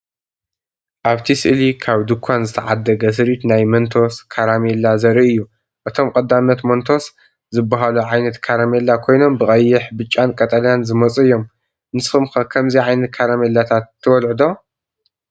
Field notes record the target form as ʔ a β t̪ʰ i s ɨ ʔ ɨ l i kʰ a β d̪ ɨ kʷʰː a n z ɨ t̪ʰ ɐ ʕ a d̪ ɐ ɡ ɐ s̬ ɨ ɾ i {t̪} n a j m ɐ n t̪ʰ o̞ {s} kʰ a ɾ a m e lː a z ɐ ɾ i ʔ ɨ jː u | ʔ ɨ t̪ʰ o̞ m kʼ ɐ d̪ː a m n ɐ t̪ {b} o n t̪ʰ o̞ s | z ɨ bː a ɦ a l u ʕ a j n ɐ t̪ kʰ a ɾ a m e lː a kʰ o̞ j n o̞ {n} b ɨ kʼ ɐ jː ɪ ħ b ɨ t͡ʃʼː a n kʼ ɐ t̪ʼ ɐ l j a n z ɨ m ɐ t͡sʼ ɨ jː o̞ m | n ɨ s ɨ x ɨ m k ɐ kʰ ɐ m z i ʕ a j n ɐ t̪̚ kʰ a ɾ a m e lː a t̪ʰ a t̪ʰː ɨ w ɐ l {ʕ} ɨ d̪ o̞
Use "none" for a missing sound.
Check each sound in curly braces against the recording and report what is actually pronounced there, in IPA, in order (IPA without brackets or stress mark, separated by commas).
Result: t̪, s, m, m, ʕ